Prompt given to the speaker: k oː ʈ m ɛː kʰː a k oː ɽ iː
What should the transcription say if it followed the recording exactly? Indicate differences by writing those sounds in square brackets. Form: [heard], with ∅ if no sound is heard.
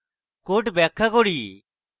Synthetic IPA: k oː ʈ [b] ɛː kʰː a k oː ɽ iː

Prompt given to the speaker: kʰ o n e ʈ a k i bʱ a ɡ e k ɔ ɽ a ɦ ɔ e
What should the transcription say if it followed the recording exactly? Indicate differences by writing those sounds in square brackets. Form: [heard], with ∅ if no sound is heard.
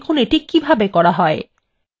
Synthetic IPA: kʰ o n e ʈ [i] k i bʱ a [b] e k ɔ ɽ a ɦ ɔ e

